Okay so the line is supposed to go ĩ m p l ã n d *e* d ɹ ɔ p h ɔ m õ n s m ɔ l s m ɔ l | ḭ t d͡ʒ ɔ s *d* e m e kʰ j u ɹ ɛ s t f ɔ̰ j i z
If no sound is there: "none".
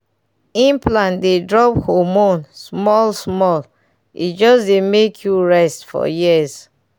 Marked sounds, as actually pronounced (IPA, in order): e, d

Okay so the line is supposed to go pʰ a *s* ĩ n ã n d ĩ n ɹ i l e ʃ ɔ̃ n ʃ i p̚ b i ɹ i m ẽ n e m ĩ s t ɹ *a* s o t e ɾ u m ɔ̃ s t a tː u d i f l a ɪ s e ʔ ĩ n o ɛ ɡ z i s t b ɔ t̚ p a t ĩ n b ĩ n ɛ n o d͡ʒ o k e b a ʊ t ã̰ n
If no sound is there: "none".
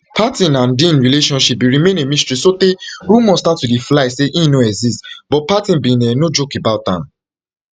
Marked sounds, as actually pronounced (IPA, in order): t, i

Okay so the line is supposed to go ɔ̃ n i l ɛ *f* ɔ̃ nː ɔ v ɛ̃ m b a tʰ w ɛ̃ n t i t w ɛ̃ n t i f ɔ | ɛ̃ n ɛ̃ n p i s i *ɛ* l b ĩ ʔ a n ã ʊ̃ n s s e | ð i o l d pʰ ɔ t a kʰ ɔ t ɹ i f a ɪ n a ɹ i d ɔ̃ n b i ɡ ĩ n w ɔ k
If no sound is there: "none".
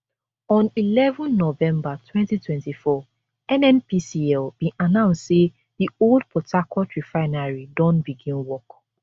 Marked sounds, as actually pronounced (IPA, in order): v, ɛ

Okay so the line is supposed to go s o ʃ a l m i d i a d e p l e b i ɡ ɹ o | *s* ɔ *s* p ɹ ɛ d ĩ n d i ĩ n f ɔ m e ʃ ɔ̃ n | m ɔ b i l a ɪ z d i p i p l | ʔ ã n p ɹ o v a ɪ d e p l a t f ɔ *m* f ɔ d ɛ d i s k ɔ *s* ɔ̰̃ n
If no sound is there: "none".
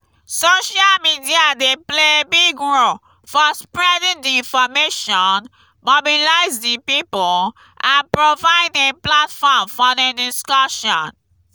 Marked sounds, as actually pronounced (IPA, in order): f, s, m, ʃ

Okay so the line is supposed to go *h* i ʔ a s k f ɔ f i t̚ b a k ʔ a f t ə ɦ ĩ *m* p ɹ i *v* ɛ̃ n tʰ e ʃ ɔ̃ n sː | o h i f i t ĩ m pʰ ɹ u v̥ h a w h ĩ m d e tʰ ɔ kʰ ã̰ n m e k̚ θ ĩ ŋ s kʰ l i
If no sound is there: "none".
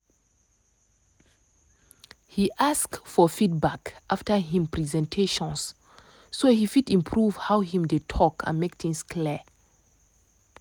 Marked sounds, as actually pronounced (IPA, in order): h, m, z

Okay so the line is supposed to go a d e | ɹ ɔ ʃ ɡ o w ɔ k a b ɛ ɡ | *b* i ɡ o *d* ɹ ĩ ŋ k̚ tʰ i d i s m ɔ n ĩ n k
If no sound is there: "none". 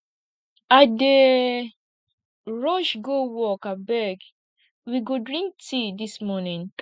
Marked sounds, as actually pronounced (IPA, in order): w, d

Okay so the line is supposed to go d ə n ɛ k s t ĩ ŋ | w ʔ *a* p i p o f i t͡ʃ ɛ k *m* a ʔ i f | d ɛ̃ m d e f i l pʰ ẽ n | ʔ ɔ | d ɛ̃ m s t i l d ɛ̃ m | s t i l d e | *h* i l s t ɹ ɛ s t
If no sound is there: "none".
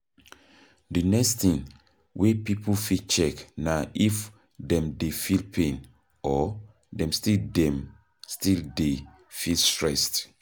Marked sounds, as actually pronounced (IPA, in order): e, n, f

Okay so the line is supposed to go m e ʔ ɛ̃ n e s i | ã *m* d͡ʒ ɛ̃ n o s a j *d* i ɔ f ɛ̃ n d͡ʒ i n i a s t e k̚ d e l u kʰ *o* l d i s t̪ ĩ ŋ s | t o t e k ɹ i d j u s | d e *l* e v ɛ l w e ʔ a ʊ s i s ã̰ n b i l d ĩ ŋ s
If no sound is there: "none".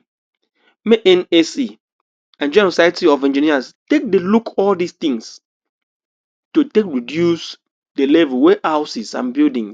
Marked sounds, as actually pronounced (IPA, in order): n, t, ɔ, l

